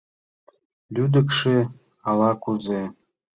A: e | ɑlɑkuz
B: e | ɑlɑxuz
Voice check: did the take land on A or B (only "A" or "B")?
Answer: A